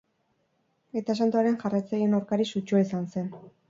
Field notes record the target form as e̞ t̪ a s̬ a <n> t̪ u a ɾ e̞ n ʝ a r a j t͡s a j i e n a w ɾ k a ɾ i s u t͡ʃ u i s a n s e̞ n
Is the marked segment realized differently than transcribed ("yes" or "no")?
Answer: no